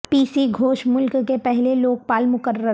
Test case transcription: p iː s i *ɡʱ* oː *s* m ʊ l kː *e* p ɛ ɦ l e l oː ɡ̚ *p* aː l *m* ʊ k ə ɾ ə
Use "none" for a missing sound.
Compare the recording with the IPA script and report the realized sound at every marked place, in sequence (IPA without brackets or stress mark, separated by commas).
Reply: ɡʱ, ʃ, e, p, m